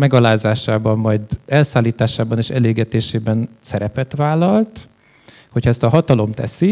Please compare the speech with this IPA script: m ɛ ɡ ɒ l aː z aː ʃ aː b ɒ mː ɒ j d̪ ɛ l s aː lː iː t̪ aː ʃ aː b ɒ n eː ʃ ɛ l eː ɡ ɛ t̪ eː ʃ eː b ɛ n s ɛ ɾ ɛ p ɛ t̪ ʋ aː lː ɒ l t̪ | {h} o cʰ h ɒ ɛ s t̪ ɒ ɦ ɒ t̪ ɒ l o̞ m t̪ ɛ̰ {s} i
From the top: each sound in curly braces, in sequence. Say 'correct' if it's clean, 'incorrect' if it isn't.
correct, correct

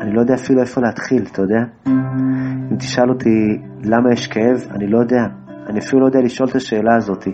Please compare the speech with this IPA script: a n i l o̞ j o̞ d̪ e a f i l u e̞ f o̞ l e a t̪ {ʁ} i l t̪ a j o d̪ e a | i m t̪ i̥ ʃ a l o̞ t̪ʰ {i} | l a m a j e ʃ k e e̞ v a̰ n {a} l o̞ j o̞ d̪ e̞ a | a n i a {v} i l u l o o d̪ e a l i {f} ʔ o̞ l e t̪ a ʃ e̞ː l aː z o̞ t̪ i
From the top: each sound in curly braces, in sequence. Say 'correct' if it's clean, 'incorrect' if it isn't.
incorrect: χ, correct, incorrect: i, incorrect: f, incorrect: ʃ

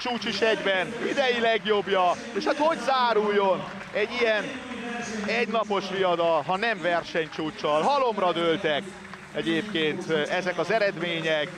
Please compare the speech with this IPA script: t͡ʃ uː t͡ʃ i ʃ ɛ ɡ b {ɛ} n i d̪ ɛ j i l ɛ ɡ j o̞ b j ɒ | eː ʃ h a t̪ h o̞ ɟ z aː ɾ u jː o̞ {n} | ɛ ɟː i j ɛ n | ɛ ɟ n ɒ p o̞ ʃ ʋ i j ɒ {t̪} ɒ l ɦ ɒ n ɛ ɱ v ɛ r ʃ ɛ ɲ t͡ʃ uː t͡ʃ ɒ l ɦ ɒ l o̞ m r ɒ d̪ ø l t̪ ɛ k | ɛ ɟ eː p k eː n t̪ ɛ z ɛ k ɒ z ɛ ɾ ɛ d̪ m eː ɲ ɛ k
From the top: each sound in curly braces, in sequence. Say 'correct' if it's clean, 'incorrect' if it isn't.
correct, correct, incorrect: d̪

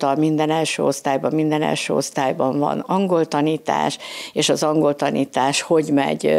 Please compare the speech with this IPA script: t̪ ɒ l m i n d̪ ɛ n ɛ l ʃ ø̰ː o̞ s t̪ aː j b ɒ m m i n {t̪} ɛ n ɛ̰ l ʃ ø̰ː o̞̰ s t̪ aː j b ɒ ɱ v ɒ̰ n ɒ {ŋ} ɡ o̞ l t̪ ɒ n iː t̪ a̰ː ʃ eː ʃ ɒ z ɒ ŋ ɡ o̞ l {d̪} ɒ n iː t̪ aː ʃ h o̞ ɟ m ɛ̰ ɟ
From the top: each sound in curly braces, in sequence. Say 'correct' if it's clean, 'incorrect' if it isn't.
incorrect: d̪, correct, incorrect: t̪

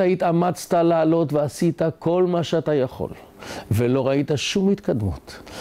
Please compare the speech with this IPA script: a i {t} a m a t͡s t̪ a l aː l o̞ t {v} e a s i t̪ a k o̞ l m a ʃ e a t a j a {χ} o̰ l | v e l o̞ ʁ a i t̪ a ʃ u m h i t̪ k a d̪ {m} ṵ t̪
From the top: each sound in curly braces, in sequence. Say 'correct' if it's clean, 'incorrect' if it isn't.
correct, correct, correct, correct

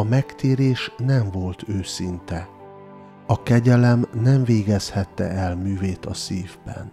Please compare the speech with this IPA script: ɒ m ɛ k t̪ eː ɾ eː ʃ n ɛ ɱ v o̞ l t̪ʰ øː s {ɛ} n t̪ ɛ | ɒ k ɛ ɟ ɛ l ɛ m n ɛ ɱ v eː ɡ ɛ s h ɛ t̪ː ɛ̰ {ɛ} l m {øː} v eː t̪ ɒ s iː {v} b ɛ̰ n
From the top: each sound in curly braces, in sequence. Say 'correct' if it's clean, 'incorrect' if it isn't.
incorrect: i, correct, incorrect: yː, correct

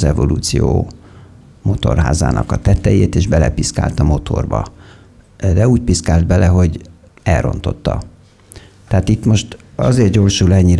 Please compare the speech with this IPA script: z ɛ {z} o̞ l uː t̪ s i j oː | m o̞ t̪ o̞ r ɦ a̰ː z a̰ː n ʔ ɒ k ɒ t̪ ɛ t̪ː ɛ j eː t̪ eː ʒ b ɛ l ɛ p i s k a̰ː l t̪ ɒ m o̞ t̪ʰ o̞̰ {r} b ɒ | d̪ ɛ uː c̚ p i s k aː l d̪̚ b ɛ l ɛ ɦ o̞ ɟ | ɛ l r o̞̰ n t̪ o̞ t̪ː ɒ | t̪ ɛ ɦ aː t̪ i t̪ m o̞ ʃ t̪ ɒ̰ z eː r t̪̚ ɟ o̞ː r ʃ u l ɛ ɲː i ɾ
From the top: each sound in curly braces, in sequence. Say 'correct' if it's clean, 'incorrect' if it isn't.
incorrect: v, correct

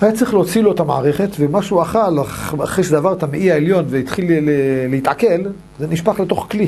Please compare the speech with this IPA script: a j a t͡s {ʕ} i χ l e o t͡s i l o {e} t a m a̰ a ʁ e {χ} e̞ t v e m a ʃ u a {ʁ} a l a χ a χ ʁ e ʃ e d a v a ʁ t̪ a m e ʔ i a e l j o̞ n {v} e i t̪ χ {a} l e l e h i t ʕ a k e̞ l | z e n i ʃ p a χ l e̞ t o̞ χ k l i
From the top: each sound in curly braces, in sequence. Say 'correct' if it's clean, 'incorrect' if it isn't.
incorrect: ʁ, correct, correct, incorrect: χ, correct, incorrect: i

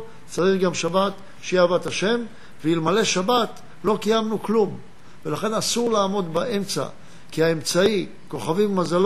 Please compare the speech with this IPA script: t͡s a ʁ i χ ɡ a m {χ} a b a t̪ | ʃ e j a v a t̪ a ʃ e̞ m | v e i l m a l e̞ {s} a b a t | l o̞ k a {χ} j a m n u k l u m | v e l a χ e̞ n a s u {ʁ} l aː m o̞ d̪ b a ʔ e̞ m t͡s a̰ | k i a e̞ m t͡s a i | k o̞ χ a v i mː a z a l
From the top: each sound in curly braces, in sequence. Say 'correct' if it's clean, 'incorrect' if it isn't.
incorrect: ʃ, incorrect: ʃ, incorrect: none, correct

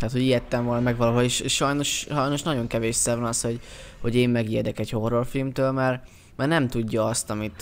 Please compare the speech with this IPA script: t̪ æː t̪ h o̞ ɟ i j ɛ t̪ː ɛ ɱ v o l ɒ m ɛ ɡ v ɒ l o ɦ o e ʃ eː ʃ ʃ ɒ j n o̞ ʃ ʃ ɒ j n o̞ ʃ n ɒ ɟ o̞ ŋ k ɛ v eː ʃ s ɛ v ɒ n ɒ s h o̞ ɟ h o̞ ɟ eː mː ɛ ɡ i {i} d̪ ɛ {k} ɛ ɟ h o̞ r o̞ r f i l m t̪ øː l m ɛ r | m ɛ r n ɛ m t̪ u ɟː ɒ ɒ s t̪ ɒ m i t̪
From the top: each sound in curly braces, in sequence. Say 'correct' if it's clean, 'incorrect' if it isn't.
incorrect: ɛ, correct

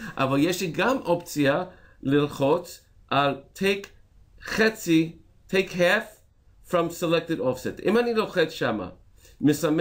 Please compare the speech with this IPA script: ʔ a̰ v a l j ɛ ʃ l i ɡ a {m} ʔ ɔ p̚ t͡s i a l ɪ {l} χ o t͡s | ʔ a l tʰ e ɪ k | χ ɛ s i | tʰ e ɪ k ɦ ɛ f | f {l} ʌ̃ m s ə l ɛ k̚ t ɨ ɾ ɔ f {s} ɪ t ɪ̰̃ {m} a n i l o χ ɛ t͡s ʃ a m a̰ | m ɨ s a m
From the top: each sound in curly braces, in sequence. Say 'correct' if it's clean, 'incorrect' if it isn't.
correct, correct, incorrect: ɹ, correct, correct

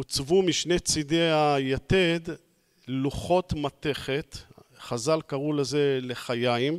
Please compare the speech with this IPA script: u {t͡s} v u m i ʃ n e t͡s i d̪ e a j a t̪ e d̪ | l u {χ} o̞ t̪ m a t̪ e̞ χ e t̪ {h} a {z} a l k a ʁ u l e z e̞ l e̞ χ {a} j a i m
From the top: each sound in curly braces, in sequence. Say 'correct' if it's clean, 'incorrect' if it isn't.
correct, correct, incorrect: χ, correct, correct

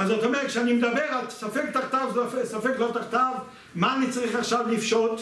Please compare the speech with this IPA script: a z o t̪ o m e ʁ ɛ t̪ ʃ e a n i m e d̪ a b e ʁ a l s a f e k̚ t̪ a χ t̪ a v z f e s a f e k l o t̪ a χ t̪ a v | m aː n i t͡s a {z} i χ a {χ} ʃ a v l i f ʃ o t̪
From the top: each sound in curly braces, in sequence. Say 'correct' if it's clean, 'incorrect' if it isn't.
incorrect: ʁ, correct

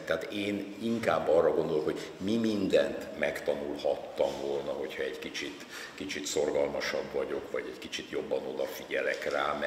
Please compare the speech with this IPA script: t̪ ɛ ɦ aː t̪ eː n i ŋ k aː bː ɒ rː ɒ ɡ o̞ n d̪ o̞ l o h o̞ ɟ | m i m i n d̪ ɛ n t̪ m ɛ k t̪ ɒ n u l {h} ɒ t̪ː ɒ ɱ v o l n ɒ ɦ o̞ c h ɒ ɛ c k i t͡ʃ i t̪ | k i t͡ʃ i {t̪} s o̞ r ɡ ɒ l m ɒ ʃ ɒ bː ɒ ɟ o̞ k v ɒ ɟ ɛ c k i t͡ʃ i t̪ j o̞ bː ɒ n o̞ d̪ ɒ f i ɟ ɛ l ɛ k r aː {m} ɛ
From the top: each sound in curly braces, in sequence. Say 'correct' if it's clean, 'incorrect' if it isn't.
correct, correct, correct

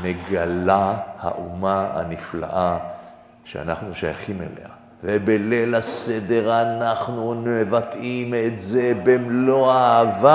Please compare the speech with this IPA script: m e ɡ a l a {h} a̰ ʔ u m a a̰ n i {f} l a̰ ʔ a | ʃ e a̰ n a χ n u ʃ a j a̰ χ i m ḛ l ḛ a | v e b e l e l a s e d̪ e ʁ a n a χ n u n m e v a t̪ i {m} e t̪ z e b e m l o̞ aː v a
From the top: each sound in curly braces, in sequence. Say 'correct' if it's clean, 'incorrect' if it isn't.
correct, correct, correct

